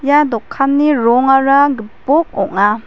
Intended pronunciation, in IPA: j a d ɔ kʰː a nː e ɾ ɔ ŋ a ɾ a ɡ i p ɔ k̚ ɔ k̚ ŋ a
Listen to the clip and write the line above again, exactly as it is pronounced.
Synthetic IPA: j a d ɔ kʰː a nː i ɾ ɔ ŋ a ɾ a ɡ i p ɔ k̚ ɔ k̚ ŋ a

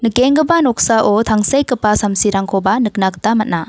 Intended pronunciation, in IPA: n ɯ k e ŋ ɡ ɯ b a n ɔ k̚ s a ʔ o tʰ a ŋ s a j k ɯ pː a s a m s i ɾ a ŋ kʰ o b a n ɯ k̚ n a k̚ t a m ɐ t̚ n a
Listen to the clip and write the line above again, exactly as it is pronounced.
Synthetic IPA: n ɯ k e ŋ ɡ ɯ b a n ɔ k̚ s a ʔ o tʰ a ŋ s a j k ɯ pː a s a m s i ɾ a ŋ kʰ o b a n ɯ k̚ n a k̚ t a m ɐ t̚ n a

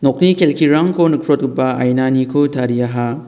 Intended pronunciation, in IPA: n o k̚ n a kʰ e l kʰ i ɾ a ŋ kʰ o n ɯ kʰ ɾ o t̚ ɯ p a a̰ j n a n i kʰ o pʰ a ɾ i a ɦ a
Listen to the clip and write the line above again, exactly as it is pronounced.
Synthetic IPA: n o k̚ n i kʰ e l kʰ i ɾ a ŋ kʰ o n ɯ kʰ ɾ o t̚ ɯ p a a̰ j n a n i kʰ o tʰ a ɾ i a ɦ a

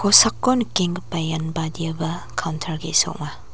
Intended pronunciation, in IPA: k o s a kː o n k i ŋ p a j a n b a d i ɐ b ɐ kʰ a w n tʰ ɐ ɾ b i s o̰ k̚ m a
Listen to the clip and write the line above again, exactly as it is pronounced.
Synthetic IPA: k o s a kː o n k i ŋ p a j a n b a d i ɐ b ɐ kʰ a w n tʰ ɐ ɾ ɡ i s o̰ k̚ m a

